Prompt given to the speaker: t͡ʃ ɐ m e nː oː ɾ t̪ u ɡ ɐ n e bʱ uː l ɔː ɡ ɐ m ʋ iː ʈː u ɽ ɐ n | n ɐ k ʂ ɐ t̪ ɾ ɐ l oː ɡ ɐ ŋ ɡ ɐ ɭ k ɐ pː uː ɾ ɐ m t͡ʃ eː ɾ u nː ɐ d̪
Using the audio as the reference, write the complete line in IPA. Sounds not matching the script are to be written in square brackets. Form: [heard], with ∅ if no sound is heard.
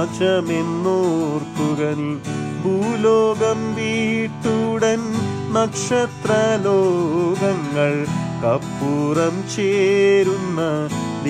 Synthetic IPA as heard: t͡ʃ ɐ m e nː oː ɾ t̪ u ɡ ɐ n [i] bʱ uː l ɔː ɡ ɐ m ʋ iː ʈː u ɽ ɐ n | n ɐ k ʂ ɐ t̪ ɾ ɐ l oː ɡ ɐ ŋ ɡ ɐ ɭ k ɐ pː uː ɾ ɐ m t͡ʃ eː ɾ u nː ɐ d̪